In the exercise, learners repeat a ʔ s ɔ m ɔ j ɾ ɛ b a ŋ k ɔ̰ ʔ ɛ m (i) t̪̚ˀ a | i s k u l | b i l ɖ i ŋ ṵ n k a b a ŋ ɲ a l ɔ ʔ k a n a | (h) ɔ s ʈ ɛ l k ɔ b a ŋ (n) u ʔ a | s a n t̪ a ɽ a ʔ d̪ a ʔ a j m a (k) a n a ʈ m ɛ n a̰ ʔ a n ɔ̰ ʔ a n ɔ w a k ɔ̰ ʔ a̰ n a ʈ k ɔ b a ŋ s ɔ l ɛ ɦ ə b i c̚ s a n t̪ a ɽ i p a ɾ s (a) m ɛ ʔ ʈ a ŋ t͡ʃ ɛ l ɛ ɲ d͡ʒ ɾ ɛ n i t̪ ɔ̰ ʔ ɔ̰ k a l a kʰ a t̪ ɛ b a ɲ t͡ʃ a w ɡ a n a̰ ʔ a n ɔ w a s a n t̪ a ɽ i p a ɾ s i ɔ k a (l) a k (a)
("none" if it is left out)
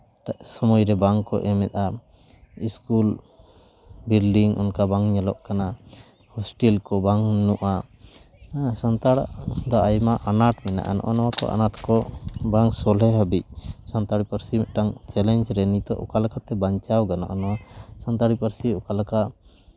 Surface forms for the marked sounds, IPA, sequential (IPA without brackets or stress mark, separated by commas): ɛ, h, n, ʔ, i, l, a